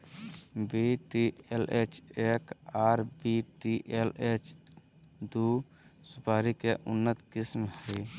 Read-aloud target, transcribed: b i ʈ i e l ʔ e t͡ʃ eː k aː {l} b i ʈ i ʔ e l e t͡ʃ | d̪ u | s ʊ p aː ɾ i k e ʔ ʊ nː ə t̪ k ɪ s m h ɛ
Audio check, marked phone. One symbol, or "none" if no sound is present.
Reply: ɾ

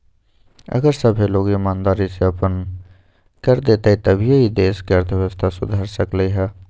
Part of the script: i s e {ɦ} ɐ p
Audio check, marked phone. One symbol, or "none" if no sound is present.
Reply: none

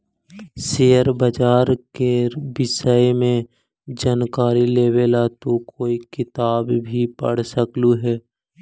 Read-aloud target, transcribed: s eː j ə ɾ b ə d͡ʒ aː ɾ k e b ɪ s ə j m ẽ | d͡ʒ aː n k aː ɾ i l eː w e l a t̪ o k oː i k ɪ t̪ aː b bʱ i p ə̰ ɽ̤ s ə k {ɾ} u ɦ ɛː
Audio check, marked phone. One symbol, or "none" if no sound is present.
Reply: l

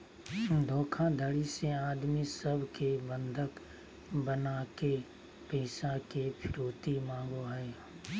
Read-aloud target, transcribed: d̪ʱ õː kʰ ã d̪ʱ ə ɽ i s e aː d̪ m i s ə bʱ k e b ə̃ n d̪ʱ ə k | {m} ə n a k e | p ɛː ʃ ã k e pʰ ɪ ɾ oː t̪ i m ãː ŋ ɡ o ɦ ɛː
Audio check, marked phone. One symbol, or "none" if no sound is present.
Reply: b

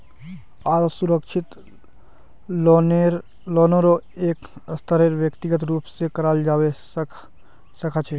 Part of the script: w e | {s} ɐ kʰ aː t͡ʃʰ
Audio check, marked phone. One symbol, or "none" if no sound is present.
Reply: s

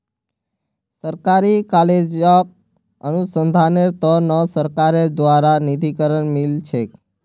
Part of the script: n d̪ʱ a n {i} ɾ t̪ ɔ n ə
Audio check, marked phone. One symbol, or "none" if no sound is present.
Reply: e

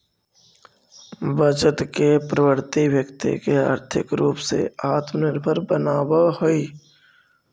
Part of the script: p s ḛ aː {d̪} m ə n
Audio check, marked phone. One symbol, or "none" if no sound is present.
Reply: t̪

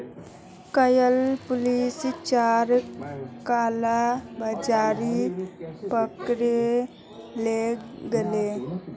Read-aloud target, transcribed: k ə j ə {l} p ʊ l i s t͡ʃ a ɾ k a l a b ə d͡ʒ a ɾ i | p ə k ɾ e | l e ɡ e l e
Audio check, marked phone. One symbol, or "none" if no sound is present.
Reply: l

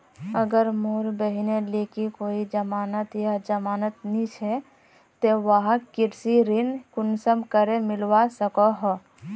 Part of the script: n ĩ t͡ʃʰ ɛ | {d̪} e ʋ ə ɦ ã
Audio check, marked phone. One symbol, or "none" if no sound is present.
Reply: t̪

